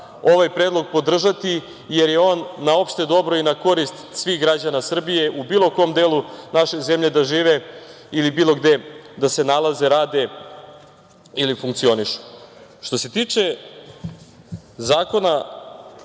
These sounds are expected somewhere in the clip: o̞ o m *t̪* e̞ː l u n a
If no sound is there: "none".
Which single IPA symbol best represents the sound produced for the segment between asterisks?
d̪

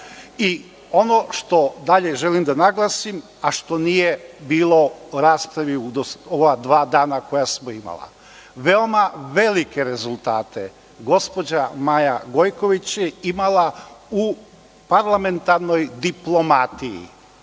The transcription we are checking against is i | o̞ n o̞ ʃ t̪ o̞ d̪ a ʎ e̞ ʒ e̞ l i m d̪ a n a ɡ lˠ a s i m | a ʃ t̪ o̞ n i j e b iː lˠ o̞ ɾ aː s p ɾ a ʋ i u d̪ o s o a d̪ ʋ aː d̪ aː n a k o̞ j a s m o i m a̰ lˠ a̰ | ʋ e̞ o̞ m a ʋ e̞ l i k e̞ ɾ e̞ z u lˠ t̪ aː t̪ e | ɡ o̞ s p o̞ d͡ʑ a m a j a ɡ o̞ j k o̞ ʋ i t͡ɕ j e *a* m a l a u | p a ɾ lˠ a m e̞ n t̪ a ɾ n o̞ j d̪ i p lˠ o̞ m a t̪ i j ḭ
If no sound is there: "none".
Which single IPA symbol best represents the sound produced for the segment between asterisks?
i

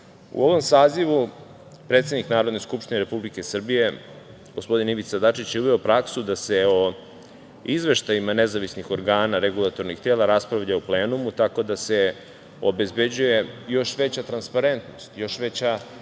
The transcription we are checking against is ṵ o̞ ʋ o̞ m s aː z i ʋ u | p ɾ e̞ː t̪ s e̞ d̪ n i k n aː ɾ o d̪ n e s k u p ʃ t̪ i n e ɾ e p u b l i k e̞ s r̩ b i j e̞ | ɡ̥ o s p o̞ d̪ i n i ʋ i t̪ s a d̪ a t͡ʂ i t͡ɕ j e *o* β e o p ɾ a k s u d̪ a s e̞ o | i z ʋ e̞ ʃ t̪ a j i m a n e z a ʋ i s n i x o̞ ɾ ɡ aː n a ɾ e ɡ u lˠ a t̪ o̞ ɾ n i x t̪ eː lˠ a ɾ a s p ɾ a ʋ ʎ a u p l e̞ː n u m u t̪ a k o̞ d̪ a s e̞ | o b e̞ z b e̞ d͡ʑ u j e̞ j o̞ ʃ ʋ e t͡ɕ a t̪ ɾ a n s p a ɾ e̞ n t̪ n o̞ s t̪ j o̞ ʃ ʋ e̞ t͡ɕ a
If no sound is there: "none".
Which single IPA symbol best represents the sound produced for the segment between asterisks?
u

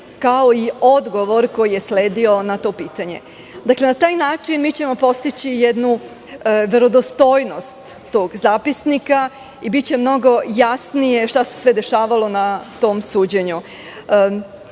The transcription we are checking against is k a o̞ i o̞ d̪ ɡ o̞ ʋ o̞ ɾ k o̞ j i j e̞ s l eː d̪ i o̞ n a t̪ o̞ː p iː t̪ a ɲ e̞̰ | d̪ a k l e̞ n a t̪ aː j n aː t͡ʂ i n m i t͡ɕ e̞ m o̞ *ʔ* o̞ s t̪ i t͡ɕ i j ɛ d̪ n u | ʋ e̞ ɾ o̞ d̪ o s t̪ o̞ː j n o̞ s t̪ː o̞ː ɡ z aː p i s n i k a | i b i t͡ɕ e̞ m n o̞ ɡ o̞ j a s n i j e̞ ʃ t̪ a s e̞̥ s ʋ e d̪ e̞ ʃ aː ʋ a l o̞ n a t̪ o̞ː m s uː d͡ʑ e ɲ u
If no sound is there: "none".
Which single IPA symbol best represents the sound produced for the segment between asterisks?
p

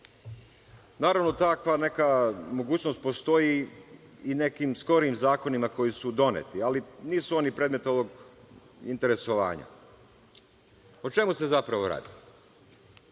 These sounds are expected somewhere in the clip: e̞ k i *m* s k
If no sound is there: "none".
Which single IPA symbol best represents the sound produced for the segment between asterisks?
m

